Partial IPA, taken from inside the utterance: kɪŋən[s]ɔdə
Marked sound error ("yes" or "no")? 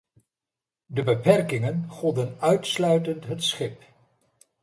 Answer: yes